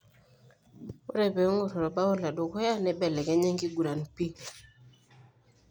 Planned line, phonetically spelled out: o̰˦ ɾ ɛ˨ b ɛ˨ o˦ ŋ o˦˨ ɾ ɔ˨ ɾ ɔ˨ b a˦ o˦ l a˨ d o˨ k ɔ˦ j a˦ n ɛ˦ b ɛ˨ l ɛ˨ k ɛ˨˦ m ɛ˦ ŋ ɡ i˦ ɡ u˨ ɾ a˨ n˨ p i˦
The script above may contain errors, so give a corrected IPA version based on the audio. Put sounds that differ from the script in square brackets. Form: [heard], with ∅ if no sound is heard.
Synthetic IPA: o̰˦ ɾ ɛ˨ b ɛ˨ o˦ ŋ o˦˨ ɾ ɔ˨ ɾ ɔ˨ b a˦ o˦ l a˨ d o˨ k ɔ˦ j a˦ n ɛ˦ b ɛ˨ l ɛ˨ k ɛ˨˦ [ɲ] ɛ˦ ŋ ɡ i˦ ɡ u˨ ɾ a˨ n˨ p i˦